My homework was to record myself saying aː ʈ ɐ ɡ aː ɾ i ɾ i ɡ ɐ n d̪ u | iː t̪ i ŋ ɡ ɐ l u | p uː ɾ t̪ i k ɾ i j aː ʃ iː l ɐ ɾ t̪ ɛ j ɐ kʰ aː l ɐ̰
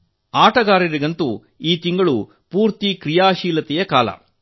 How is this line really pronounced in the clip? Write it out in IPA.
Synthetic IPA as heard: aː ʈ ɐ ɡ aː ɾ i ɾ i ɡ ɐ n t̪ u | iː t̪ i ŋ ɡ ɐ ɭ u | p uː ɾ t̪ i k ɾ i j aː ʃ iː l ɐ t̪ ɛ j ɐ k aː l ɐ̰